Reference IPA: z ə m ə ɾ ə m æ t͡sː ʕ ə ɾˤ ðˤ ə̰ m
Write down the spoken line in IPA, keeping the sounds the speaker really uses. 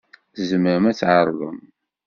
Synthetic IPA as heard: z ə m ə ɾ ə m æ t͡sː ʕ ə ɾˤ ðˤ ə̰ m